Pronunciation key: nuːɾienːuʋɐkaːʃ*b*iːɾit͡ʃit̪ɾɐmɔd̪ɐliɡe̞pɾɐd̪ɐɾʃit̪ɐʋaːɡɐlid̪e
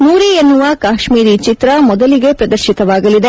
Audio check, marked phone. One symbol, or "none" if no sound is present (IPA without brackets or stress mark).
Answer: m